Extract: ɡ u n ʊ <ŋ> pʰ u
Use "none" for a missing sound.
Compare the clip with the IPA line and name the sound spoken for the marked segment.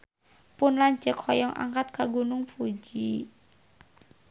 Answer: ŋ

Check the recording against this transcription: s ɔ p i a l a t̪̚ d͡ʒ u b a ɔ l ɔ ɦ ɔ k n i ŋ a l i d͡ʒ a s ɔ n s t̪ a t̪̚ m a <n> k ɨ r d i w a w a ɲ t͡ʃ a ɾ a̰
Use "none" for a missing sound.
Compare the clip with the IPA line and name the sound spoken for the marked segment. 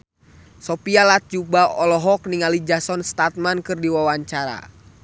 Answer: n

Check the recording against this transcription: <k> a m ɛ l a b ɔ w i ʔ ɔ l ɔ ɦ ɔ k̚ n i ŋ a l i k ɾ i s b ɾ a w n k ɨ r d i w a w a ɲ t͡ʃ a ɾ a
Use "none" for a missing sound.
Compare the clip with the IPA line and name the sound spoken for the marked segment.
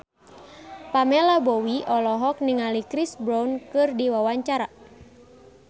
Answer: p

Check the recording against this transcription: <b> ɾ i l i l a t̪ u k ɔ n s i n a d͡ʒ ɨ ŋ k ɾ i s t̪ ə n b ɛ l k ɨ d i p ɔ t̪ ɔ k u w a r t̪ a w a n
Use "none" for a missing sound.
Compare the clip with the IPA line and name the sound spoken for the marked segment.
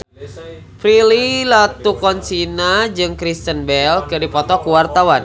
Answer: p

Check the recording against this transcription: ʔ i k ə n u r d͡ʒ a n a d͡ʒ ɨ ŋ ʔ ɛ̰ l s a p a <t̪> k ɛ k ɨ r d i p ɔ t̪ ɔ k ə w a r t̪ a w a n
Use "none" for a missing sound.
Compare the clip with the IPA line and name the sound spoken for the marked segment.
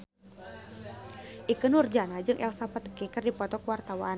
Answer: t̪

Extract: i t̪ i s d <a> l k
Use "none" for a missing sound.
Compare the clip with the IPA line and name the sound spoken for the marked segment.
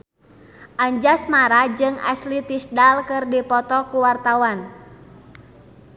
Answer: a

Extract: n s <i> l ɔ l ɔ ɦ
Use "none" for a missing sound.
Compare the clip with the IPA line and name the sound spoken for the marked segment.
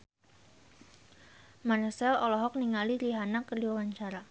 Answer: ɛ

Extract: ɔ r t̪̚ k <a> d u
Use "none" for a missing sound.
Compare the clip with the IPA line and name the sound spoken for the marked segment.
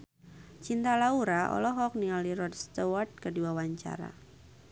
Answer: ə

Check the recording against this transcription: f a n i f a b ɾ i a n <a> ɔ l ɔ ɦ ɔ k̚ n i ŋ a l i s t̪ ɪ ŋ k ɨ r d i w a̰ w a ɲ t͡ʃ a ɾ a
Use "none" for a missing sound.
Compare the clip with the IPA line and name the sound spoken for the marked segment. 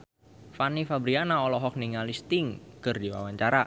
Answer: a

